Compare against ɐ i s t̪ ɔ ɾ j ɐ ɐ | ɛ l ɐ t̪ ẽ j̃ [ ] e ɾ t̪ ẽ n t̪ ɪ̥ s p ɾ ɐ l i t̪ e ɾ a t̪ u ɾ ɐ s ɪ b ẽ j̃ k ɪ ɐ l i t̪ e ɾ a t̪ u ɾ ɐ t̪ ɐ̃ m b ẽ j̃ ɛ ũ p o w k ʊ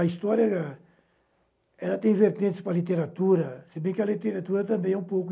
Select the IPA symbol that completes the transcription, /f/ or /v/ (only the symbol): v